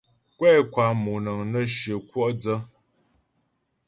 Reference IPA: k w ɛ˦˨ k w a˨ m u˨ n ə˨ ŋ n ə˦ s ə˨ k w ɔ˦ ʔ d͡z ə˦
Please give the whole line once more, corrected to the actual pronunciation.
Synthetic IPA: k w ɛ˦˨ k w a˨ m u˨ n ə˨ ŋ n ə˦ ʃ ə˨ k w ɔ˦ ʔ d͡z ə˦